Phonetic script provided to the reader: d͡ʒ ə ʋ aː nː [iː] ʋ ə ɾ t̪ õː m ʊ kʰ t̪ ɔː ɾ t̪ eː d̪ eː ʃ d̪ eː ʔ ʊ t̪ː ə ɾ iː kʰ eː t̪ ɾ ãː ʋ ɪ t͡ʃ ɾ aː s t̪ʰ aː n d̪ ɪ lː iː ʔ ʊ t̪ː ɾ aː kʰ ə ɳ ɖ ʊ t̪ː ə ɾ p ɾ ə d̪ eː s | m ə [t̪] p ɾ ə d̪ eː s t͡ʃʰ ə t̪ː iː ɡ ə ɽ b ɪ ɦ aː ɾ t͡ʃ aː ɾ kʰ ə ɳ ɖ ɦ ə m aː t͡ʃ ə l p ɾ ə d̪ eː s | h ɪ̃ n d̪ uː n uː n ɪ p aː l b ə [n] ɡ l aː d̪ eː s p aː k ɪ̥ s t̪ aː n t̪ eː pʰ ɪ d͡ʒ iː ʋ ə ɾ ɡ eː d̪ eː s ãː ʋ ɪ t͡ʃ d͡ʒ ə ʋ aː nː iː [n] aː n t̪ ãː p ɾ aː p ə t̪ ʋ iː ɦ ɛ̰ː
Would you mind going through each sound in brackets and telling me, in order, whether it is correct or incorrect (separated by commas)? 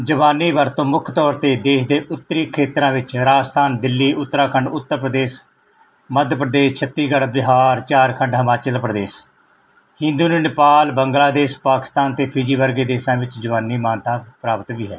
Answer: correct, incorrect, incorrect, incorrect